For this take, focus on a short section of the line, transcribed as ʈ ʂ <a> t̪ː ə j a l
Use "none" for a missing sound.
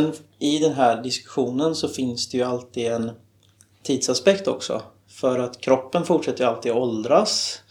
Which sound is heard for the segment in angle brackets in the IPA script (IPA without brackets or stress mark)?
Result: ɛ